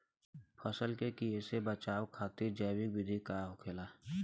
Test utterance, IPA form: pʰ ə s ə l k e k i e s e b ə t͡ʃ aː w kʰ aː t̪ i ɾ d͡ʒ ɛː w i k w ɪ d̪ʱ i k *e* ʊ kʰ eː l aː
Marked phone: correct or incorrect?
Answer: incorrect: a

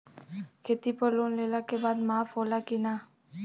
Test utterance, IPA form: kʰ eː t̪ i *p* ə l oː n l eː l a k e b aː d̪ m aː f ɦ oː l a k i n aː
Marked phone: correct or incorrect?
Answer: correct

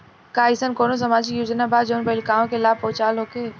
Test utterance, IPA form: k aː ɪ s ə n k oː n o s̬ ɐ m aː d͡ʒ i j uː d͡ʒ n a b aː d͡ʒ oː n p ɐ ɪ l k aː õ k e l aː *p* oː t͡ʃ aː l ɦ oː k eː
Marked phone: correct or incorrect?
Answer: correct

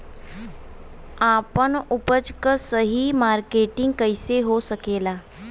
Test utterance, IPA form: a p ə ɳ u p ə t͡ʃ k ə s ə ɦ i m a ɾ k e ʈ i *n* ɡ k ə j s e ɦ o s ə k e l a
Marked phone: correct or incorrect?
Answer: incorrect: ŋ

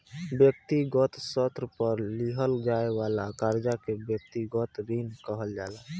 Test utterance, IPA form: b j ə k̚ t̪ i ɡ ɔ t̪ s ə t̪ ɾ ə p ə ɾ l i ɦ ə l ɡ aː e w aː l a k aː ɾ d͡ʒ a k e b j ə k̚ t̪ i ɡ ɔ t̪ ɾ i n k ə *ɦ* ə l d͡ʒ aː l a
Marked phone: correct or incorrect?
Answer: correct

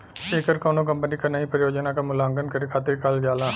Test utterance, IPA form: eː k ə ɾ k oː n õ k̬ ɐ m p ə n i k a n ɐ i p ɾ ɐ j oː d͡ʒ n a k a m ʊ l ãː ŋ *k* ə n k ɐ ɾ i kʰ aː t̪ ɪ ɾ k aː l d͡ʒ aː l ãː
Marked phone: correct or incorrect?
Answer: incorrect: ɡ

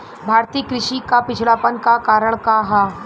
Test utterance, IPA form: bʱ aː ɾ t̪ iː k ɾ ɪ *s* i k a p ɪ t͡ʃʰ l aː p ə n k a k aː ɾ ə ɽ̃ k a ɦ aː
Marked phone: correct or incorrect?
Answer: incorrect: ʃ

